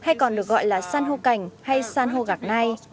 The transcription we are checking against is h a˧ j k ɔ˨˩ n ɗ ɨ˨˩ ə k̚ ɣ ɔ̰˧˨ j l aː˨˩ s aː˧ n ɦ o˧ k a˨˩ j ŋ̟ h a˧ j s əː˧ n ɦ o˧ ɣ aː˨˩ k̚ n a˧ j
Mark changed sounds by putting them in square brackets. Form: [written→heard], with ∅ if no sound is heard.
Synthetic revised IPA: h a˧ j k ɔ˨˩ n ɗ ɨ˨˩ ə k̚ ɣ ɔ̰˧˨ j l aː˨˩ s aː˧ n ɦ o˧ k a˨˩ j ŋ̟ h a˧ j s [əː˧→aː˧] n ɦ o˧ ɣ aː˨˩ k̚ n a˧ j